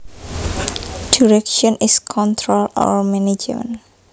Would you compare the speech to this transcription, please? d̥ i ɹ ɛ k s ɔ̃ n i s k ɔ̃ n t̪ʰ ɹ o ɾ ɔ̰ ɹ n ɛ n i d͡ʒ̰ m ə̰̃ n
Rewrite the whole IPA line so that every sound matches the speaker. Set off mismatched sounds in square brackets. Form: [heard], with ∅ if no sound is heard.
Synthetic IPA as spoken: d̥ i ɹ ɛ k [ʃ] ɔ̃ n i s [kʰ] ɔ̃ n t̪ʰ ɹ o [l] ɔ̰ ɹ [m] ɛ n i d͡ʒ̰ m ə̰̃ n